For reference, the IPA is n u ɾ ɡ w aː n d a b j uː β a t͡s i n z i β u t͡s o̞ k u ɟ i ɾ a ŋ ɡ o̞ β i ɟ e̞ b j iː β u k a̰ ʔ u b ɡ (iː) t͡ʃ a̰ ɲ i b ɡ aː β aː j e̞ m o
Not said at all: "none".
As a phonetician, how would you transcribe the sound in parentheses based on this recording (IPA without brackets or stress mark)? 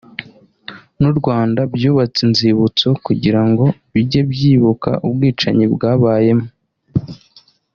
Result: iː